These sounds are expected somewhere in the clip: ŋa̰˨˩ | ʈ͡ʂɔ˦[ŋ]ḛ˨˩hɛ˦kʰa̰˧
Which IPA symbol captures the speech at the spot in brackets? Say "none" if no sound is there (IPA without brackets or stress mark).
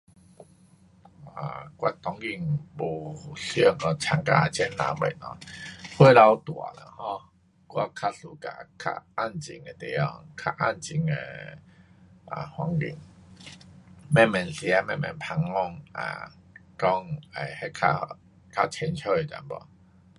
ŋ